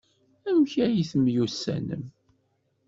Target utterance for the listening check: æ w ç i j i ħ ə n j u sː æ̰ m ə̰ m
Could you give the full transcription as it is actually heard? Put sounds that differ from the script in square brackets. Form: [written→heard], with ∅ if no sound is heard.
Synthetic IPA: æ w ç [i→æ] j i [ħ→θ] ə [n→m] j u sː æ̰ [m→n] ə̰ m